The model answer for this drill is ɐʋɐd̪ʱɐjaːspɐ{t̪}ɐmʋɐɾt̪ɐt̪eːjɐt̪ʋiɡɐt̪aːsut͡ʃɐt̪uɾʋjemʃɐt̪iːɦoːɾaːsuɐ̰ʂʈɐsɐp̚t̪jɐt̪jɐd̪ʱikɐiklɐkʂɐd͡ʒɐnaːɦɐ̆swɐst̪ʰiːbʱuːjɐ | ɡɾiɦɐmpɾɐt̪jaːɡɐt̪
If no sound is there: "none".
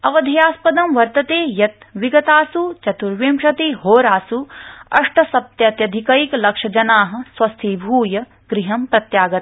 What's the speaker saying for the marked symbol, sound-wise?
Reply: d̪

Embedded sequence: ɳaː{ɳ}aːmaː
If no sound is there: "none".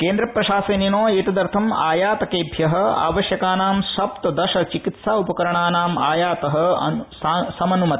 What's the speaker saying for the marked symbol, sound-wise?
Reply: n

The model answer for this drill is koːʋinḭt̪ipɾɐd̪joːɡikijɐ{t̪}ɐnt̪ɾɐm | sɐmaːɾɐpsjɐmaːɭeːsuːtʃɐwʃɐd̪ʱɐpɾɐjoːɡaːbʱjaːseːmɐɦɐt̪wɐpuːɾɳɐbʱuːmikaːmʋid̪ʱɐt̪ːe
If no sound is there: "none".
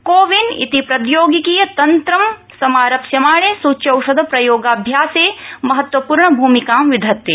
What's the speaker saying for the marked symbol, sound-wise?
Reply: t̪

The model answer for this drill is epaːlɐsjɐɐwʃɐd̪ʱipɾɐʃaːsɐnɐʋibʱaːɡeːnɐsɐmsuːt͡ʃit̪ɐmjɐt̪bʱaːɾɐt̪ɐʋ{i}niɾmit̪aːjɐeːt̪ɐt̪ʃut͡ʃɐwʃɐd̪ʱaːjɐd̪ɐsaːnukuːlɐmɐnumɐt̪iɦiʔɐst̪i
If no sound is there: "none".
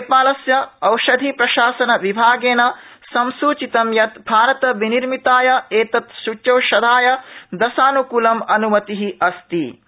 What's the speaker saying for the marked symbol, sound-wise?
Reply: i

